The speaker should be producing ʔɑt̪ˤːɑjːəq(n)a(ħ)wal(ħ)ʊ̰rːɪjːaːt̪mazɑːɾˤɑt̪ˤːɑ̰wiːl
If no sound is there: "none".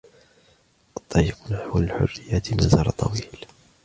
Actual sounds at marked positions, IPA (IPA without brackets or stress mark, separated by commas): n, ħ, ħ